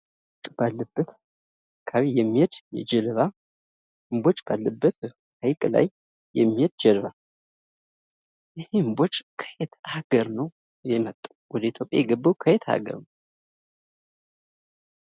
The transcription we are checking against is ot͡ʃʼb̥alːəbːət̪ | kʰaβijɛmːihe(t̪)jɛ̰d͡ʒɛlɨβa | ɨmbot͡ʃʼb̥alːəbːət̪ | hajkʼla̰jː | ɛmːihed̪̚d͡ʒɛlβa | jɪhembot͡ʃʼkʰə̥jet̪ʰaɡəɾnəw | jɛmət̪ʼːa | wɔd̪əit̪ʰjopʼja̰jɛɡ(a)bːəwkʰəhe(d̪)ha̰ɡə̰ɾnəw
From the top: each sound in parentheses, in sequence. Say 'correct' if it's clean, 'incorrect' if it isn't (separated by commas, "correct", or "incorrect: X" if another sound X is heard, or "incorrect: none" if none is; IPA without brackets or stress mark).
incorrect: d̪, incorrect: ə, incorrect: t̪